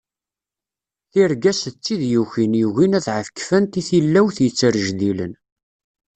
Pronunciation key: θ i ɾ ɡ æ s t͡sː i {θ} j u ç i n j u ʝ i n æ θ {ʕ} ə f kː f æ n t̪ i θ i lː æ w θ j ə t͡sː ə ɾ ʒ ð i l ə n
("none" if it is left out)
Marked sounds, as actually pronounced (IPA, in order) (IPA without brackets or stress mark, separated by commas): ð, ʕ